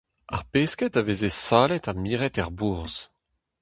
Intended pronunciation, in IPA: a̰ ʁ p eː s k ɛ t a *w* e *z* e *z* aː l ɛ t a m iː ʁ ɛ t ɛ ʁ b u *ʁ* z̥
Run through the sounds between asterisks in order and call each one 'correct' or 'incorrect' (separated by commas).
incorrect, correct, incorrect, correct